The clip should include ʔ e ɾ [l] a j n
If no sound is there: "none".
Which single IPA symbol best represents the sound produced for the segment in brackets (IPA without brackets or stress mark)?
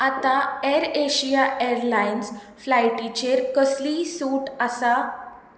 l